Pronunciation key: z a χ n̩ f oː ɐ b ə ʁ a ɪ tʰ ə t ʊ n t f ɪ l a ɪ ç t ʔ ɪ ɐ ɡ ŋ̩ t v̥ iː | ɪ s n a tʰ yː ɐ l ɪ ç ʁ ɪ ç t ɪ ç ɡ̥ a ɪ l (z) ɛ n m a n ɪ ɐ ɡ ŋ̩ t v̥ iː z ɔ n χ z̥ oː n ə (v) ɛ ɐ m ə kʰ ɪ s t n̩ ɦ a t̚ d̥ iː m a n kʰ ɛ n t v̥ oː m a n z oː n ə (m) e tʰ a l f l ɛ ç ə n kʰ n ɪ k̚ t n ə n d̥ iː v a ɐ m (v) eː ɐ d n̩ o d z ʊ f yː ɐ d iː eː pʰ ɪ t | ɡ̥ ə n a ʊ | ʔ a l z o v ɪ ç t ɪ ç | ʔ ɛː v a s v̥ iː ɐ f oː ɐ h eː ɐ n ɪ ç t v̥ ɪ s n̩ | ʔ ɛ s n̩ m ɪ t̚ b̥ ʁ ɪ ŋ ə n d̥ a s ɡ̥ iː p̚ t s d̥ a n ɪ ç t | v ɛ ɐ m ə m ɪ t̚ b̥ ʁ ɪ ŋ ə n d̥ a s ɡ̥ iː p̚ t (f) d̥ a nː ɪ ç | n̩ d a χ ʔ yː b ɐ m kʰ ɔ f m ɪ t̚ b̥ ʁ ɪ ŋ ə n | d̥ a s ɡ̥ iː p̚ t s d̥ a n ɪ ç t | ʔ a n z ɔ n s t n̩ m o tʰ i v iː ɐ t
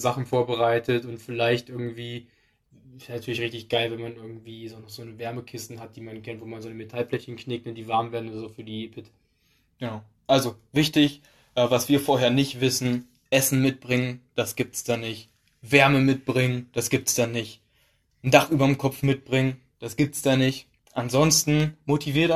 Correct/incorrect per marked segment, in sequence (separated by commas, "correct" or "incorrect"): incorrect, correct, correct, correct, incorrect